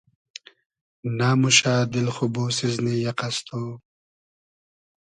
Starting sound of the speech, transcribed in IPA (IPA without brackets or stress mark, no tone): n